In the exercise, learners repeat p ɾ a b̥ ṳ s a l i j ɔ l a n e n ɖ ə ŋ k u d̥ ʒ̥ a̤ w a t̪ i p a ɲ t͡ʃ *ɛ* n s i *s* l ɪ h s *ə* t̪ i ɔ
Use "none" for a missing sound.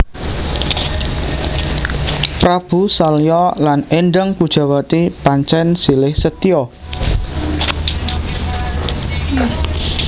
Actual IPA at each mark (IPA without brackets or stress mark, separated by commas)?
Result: ɛ, none, ə